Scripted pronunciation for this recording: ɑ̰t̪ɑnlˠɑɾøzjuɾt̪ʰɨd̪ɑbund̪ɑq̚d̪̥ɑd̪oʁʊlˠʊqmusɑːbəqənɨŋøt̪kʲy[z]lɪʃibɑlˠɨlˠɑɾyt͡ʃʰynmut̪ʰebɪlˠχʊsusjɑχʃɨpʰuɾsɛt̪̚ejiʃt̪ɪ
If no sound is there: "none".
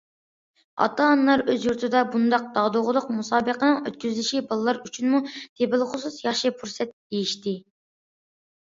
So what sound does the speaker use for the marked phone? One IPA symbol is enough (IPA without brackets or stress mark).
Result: z